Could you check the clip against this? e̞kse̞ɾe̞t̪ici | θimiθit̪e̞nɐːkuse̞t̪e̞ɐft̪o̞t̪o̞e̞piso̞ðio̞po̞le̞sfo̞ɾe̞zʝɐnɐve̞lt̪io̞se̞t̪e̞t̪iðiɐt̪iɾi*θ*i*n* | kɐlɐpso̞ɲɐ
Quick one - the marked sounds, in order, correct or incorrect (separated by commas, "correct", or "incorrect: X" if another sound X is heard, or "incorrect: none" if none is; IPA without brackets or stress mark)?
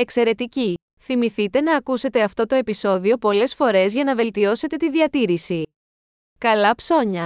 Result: incorrect: s, incorrect: none